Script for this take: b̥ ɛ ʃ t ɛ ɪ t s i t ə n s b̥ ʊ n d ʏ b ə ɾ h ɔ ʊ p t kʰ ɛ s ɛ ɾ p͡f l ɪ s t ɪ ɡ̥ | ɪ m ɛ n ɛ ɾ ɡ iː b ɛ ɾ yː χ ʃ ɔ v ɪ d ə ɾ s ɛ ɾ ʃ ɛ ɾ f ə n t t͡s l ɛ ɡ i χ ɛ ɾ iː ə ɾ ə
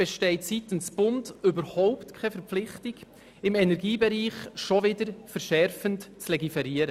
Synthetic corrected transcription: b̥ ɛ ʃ t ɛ ɪ t s i t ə n s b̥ ʊ n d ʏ b ə ɾ h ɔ ʊ p t kʰ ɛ f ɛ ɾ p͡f l ɪ χ t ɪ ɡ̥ | ɪ m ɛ n ɛ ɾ ɡ iː b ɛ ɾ iː χ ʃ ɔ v ɪ d ə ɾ f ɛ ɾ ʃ ɛ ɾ f ə n t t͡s l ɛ ɡ i f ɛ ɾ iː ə ɾ ə

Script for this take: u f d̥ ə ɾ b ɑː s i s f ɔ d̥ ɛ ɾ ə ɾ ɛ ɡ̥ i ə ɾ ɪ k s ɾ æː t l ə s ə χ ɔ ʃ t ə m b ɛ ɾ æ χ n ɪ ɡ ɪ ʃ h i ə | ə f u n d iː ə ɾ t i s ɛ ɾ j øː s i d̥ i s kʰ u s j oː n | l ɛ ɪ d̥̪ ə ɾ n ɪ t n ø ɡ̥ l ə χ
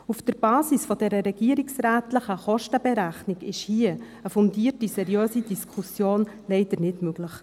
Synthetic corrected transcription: u f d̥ ə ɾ b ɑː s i s f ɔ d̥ ɛ ɾ ə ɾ ɛ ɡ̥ i ə ɾ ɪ k s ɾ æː t l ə χ ə χ ɔ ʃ t ə b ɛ ɾ æ χ n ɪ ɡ ɪ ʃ h i ə | ə f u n d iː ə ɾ t i s ɛ ɾ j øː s i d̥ i s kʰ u s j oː n | l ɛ ɪ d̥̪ ə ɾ n ɪ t m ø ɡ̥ l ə χ

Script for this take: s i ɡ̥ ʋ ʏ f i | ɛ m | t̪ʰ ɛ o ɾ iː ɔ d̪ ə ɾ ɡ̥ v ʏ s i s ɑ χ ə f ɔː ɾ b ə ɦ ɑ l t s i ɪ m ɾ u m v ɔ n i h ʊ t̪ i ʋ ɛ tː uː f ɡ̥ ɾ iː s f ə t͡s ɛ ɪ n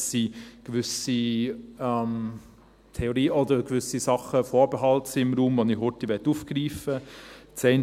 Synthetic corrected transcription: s i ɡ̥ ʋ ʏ s i | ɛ m | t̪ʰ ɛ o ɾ iː ɔ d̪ ə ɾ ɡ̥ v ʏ s i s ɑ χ ə f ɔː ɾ b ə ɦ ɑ l t s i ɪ m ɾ uː m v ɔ n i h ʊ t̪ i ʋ ɛ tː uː f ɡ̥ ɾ iː f ə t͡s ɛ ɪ n

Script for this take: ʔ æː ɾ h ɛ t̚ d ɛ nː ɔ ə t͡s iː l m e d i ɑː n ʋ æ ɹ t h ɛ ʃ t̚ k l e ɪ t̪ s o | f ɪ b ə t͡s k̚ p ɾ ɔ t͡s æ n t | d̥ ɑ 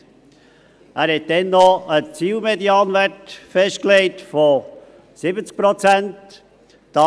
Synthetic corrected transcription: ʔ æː ɾ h ɛ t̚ d ɛ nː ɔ ə t͡s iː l m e d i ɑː n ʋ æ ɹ t f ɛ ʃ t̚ k l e ɪ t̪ f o | s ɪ b ə t͡s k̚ p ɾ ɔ t͡s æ n t | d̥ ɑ

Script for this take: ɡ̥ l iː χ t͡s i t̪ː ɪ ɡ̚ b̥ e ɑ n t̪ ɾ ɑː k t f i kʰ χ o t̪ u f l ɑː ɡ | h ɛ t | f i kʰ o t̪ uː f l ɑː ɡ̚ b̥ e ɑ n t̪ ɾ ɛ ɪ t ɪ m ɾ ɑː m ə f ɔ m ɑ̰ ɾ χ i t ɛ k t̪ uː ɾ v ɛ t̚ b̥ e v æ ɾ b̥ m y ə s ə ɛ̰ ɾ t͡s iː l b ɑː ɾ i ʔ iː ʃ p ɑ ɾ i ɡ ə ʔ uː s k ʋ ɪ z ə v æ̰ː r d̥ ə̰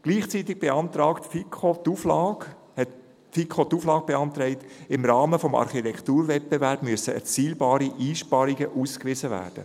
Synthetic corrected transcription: ɡ̥ l iː χ t͡s i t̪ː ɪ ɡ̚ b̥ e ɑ n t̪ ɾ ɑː k t f i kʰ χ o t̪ u f l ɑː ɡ | h ɛ t | f i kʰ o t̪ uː f l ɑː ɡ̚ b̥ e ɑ n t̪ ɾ ɛ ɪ t ɪ m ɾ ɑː m ə f ɔ m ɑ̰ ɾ χ i t ɛ k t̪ uː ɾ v ɛ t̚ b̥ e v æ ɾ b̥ m y ə s ə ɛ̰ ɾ t͡s iː l b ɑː ɾ i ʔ iː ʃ p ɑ ɾ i ɡ ə ʔ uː s k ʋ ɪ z ə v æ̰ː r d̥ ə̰

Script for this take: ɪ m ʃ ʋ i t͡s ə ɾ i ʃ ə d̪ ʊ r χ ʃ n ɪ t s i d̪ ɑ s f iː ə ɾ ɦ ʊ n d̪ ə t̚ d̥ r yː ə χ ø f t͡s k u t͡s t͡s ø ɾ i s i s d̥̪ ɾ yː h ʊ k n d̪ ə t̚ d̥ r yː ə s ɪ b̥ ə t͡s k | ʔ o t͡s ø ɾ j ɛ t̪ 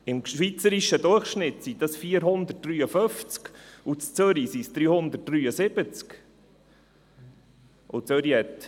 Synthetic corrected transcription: ɪ m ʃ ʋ i t͡s ə ɾ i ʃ ə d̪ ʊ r χ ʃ n ɪ t s i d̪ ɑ s f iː ə ɾ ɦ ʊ n d̪ ə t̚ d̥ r yː ə f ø f t͡s k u t͡s t͡s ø ɾ i s i s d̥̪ ɾ yː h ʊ n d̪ ə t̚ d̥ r yː ə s ɪ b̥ ə t͡s k | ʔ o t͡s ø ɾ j ɛ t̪

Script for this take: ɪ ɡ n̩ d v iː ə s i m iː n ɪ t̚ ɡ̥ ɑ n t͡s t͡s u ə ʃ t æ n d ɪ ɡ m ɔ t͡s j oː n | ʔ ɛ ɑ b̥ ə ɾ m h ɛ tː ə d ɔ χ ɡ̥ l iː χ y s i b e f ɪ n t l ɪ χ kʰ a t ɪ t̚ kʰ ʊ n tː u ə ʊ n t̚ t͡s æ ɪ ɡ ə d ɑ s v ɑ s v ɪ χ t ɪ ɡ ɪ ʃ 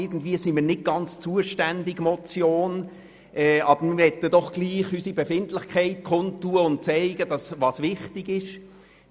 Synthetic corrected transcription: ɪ ɡ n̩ d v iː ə s i m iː n ɪ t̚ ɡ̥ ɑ n t͡s t͡s u ə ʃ t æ n d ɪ ɡ m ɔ t͡s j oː n | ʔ ɛ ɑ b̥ ə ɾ m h ɛ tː ə d ɔ χ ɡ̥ l iː χ y s i b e f ɪ n t l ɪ χ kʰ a ɪ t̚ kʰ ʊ n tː u ə ʊ n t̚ t͡s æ ɪ ɡ ə d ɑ s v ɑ s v ɪ χ t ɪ ɡ ɪ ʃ

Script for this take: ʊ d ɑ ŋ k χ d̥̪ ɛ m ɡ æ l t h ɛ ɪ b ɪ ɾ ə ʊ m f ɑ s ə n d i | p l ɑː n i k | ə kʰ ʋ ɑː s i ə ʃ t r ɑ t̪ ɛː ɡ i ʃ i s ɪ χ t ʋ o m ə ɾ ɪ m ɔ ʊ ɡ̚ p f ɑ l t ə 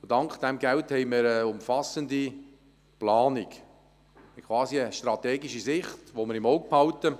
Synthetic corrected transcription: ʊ d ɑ ŋ k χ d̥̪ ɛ m ɡ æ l t h ɛ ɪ m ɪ ɾ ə ʊ m f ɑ s ə n d i | p l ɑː n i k | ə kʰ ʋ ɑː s i ə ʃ t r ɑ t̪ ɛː ɡ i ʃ i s ɪ χ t ʋ o m ə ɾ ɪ m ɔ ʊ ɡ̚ p h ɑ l t ə

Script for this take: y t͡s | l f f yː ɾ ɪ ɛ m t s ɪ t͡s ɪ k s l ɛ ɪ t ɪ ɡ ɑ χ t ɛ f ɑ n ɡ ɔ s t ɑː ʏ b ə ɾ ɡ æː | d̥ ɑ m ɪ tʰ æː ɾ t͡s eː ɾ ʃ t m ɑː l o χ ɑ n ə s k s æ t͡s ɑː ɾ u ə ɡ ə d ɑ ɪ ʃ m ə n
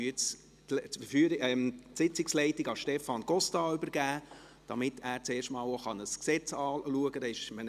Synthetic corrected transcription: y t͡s | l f f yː ɾ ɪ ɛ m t s ɪ t͡s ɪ k s l ɛ ɪ t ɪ ɡ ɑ ʃ t ɛ f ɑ n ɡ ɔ s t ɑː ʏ b ə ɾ ɡ æː | d̥ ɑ m ɪ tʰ æː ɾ t͡s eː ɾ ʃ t m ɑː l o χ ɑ n ə s k s ɛ t͡s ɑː l u ə ɡ ə d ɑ ɪ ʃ m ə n

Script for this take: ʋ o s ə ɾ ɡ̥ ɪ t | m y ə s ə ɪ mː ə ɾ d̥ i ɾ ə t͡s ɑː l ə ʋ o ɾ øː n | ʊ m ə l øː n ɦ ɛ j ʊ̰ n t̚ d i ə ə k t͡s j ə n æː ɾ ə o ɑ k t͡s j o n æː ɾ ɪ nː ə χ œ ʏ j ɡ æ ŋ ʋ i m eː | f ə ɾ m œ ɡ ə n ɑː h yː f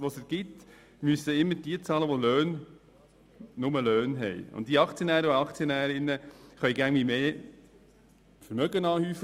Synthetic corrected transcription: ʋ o s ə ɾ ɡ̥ ɪ t | m y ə s ə ɪ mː ə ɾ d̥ i ə t͡s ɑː l ə ʋ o l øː n | ʊ m ə l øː n ɦ ɛ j ʊ̰ n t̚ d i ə ɑ k t͡s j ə n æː ɾ ə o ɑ k t͡s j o n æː ɾ ɪ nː ə χ œ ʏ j ɡ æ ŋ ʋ i m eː | f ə ɾ m œ ɡ ə n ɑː h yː f

